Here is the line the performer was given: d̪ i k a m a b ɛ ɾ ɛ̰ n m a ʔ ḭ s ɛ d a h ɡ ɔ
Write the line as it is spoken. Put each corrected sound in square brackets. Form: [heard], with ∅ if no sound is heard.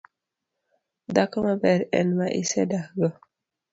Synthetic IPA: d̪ [a] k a m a b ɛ ɾ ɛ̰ n m a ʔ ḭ s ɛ d a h ɡ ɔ